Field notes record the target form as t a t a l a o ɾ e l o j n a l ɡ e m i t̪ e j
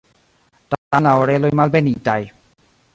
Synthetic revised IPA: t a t a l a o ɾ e l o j m a l b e n i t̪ a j